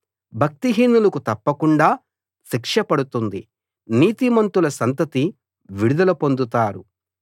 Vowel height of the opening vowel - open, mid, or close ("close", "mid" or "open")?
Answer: open